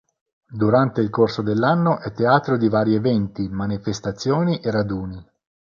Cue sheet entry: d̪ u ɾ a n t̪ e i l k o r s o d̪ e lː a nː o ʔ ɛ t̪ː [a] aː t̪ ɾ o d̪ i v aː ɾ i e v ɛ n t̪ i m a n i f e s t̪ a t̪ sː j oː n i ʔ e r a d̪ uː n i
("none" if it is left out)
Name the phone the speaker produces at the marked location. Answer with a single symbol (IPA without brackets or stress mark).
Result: e